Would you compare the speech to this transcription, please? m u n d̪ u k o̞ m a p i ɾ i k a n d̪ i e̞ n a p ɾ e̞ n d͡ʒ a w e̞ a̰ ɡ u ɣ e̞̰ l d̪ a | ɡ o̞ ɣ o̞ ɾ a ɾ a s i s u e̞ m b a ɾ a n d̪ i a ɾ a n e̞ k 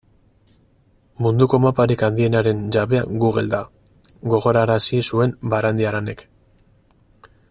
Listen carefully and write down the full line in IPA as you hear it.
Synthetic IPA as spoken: m u n d̪ u k o̞ m a p a ɾ i k a n d̪ i e̞ n a ɾ e̞ n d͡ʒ a β e̞ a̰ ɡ u ɣ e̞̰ l d̪ a | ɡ o̞ ɣ o̞ ɾ a ɾ a s i s u e̞ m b a ɾ a n d̪ i a ɾ a n e̞ k